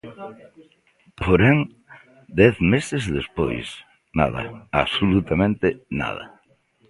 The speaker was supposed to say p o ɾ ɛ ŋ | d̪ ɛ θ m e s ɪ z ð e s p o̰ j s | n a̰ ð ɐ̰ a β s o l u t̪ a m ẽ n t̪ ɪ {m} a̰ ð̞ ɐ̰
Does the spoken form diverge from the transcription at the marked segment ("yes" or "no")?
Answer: yes